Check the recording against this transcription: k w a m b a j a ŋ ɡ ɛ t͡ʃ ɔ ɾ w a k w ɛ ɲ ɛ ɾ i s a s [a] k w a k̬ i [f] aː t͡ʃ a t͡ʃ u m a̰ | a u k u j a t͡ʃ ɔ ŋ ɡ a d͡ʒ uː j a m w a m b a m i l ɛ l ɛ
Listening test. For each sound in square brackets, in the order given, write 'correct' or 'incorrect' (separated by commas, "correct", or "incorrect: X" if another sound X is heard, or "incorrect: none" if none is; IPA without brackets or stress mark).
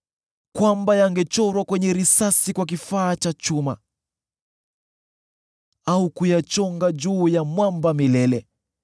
incorrect: i, correct